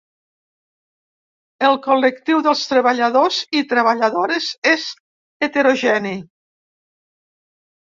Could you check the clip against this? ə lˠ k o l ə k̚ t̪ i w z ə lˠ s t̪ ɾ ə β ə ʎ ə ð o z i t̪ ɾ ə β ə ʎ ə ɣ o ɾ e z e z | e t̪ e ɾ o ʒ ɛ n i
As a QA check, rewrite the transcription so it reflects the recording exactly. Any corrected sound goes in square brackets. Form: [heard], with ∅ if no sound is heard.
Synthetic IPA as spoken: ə lˠ k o l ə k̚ t̪ i w [ð] ə lˠ s t̪ ɾ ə β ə ʎ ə ð o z i t̪ ɾ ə β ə ʎ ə [ð] o ɾ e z e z | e t̪ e ɾ o ʒ ɛ n i